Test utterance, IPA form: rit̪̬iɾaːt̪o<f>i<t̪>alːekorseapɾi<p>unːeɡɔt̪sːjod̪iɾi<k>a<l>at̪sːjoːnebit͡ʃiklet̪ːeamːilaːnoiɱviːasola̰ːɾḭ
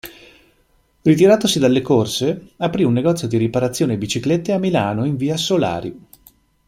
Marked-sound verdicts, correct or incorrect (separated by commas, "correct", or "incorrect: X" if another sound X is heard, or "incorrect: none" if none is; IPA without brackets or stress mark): incorrect: s, incorrect: d̪, incorrect: none, incorrect: p, incorrect: ɾ